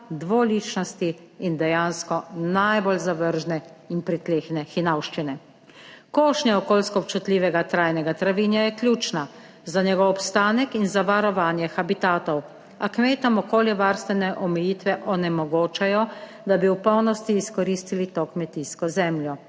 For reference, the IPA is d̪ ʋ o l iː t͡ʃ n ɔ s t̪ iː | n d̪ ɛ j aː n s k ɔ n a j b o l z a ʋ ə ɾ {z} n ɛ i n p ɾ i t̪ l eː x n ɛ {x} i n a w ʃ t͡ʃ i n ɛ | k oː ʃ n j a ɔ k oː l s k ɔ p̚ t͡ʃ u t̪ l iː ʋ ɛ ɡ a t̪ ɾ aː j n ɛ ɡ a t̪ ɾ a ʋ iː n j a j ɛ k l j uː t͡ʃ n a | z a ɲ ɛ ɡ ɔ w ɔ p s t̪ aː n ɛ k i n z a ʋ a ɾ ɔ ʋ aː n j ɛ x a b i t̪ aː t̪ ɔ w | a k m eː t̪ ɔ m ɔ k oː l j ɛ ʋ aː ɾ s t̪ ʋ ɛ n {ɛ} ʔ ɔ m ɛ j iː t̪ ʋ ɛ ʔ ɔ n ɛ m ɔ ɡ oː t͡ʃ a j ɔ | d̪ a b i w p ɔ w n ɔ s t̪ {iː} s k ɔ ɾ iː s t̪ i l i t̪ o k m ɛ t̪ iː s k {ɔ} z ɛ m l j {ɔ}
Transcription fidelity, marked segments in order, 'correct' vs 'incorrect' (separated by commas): incorrect, correct, correct, correct, correct, correct